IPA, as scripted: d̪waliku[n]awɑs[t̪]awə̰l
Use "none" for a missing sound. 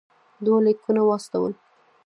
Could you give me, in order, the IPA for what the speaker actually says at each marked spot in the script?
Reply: n, t̪

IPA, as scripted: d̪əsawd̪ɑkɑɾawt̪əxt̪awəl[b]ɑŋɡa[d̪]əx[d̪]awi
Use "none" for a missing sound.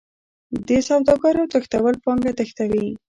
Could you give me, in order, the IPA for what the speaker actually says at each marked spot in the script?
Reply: p, t̪, t̪

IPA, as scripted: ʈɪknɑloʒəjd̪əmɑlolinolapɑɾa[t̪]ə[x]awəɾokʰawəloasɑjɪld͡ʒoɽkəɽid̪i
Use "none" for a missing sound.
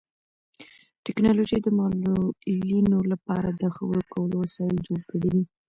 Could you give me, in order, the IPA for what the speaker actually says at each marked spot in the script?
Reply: d̪, x

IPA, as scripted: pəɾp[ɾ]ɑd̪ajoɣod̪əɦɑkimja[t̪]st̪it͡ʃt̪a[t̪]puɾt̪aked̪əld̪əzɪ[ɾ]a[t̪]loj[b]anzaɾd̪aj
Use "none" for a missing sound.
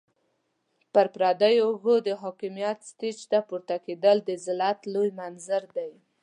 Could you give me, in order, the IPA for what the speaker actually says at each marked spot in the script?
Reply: ɾ, t̪, none, l, t̪, m

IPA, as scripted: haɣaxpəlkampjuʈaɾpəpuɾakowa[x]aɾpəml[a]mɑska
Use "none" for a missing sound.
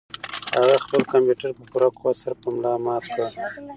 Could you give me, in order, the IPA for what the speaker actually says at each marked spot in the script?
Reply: s, ɑ

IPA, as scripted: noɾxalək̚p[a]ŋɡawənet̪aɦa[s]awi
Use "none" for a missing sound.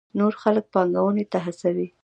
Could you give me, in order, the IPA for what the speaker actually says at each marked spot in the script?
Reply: ɑ, s

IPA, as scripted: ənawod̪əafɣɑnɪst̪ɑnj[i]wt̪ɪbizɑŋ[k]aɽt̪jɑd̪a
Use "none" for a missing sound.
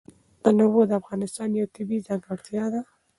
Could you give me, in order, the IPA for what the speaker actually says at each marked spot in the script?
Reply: a, ɡ

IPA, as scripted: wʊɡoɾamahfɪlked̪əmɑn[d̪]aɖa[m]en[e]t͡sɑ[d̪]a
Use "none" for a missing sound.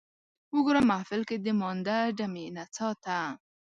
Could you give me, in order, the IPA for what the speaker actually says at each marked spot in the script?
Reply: d̪, m, a, t̪

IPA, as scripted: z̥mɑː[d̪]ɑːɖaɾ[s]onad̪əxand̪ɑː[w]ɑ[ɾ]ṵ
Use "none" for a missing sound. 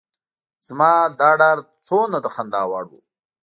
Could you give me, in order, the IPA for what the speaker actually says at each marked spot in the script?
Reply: d̪, t͡s, w, ɽ

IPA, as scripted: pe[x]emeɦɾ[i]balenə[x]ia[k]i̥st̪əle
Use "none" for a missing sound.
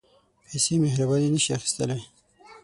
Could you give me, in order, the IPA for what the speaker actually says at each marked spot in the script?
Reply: s, a, ʃ, x

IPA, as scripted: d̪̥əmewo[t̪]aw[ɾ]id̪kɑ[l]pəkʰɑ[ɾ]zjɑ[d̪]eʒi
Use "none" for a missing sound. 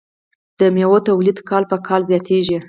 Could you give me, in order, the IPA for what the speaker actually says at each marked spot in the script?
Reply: t̪, l, l, l, t̪

